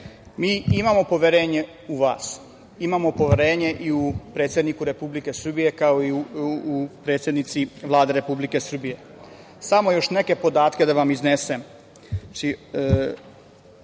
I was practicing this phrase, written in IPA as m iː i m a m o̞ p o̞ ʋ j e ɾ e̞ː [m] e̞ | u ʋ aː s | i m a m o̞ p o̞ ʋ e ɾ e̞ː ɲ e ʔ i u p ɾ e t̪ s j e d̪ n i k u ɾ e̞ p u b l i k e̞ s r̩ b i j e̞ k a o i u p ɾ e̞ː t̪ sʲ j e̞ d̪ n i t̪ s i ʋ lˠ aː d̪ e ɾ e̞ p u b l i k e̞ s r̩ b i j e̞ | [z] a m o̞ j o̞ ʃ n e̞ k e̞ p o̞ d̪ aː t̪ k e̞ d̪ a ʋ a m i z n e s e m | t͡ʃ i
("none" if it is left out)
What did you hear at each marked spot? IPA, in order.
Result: ɲ, s

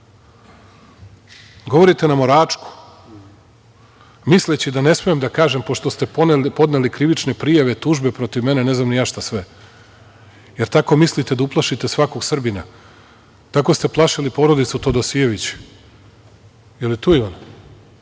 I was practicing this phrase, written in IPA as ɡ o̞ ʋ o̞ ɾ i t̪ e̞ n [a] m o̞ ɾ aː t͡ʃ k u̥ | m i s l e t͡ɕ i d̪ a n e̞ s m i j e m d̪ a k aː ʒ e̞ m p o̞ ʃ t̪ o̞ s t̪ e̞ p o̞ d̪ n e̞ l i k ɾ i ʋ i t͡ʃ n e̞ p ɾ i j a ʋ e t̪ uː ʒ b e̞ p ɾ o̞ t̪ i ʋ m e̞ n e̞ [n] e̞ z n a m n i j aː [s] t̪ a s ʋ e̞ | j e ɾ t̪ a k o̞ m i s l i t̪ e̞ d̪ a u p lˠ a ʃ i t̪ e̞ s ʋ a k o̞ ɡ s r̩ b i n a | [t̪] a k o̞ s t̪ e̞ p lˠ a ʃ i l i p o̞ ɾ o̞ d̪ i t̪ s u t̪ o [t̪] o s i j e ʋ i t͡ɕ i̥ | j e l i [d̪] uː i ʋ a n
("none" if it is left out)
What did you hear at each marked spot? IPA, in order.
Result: a, n, ʃ, t̪, d̪, t̪

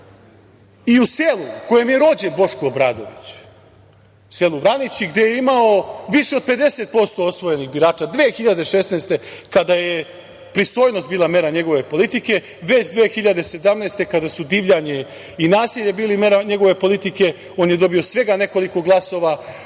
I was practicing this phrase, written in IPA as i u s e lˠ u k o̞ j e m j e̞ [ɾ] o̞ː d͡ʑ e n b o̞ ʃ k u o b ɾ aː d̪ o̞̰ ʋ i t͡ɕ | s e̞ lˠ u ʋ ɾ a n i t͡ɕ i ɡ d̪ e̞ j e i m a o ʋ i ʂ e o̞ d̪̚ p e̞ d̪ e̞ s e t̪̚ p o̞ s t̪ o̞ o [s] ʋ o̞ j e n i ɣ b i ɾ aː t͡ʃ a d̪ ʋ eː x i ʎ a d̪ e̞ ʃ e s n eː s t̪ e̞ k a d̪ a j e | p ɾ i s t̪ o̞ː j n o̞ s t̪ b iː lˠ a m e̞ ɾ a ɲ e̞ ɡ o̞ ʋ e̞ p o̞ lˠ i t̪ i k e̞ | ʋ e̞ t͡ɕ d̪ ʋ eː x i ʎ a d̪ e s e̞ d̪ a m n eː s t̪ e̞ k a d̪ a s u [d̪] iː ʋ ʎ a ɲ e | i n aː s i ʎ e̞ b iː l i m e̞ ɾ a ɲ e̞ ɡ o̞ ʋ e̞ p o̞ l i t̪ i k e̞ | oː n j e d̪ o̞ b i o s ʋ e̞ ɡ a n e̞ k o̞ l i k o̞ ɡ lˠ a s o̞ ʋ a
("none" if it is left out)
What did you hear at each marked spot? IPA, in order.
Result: ɾ, s, d̪

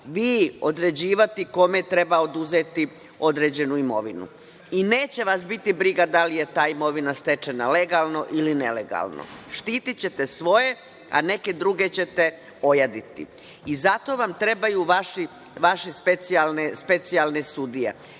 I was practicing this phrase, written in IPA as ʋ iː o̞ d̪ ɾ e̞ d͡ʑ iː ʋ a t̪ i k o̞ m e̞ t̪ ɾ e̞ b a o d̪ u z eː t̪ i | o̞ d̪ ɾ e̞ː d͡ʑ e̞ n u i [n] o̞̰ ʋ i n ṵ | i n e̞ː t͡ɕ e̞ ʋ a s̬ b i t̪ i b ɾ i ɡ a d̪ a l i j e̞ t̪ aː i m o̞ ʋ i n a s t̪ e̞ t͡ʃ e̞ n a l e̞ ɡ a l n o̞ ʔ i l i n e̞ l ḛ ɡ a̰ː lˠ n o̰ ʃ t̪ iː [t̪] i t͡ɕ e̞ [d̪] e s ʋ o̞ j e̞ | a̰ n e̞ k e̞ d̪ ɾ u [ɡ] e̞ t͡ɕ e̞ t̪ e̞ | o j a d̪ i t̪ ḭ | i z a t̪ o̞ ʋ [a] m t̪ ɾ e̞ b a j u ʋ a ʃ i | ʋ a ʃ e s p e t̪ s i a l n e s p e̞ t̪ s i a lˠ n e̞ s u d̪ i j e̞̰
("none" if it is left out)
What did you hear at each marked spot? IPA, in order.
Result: m, t̪, t̪, ɡ, a

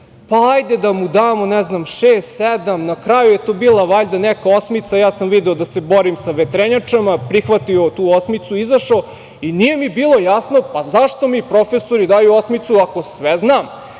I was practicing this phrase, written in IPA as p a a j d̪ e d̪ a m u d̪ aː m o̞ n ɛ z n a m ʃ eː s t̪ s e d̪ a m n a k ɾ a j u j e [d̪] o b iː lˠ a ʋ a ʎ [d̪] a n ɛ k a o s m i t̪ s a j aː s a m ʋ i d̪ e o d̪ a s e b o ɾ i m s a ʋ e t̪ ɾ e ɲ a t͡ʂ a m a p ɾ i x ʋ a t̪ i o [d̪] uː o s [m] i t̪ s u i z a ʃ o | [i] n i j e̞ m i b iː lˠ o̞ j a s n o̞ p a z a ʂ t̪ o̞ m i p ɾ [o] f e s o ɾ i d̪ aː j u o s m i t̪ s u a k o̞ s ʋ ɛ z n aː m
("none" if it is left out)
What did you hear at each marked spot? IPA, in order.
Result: t̪, d̪, t̪, m, i, o

